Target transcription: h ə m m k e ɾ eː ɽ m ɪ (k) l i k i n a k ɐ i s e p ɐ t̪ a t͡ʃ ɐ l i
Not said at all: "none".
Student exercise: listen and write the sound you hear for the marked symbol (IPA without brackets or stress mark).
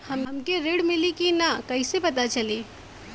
none